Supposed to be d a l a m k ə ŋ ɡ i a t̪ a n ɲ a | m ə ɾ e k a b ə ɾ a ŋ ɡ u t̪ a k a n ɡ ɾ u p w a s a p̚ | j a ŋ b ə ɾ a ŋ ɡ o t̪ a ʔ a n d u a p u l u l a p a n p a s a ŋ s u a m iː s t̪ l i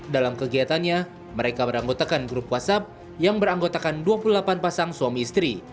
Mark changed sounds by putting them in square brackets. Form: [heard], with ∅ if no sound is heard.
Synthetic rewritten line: d a l a m k ə [∅] ɡ i a t̪ a n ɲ a | m ə ɾ e k a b ə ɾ a ŋ ɡ [o] t̪ a k a n ɡ ɾ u p w a s a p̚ | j a ŋ b ə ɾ a ŋ ɡ o t̪ a [k] a n d u a p u l u l a p a n p a s a ŋ s u a m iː s t̪ [ɾ] i